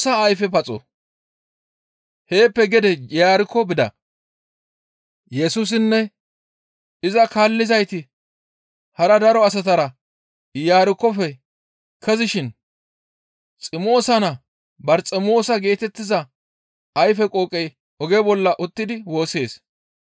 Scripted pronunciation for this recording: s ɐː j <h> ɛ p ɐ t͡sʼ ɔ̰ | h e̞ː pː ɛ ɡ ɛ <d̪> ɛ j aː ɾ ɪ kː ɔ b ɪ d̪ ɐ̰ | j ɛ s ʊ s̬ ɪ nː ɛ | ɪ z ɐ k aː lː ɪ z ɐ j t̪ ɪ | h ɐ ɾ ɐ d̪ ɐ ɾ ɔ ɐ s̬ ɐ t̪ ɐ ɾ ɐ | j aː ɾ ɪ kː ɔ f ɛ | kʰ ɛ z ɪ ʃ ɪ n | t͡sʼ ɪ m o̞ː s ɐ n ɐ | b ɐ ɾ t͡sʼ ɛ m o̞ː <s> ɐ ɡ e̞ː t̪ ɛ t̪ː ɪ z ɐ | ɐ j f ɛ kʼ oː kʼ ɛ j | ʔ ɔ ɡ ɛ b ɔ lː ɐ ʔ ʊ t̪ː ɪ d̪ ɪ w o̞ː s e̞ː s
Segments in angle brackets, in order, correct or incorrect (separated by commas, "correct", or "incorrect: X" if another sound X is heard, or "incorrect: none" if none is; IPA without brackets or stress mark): incorrect: f, correct, correct